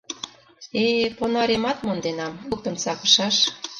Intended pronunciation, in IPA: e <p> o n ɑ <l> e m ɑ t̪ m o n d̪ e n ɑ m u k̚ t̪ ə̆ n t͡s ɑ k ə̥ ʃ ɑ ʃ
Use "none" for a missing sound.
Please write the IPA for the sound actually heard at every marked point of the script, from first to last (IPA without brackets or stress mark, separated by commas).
p, ɾ